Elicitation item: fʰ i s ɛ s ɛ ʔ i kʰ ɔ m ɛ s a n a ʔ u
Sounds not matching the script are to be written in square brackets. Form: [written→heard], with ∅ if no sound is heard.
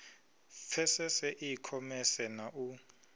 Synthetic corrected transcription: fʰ [i→ɛ] s ɛ s ɛ ʔ i kʰ ɔ m ɛ s [a→ɛ] n a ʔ u